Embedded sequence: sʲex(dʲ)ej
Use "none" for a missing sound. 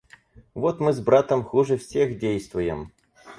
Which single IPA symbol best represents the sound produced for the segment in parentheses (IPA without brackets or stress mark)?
dʲ